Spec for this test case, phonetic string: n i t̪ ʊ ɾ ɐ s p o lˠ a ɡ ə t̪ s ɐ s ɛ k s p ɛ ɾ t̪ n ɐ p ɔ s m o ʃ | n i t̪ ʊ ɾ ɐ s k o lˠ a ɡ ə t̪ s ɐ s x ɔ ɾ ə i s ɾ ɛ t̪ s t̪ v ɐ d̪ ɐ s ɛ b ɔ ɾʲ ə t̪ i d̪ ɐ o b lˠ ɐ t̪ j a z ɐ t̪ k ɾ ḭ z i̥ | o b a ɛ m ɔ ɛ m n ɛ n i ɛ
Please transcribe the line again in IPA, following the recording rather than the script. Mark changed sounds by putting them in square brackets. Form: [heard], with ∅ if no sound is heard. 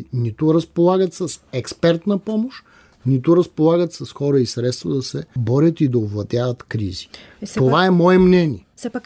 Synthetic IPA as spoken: n i t̪ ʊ ɾ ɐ s p o lˠ a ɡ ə t̪ s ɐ s ɛ k s p ɛ ɾ t̪ n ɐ p ɔ [∅] m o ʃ | n i t̪ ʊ ɾ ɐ s [p] o lˠ a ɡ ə t̪ s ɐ s x ɔ ɾ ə i s ɾ ɛ t̪ s t̪ v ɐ d̪ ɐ s ɛ b ɔ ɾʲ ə t̪ i d̪ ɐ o [v] lˠ ɐ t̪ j a [v] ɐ t̪ k ɾ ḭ z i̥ | o [v] a ɛ m ɔ ɛ m n ɛ n i ɛ